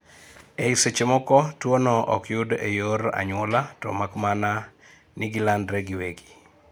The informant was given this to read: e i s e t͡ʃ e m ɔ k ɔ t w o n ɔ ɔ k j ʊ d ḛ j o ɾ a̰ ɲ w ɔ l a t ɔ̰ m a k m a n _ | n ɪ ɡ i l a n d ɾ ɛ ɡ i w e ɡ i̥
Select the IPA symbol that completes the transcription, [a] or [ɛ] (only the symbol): a